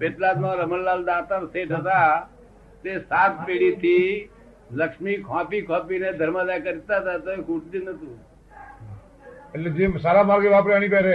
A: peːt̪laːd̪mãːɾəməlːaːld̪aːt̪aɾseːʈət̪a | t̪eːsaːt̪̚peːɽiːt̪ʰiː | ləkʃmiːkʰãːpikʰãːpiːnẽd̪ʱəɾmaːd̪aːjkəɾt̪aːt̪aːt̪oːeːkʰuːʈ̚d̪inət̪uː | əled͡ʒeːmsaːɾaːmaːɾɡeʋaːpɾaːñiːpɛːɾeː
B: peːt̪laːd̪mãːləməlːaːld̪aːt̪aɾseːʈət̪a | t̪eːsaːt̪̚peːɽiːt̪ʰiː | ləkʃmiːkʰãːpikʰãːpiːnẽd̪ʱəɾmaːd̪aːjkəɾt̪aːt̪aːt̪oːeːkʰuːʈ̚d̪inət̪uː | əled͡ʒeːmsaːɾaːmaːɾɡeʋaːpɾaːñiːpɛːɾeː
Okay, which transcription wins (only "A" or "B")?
A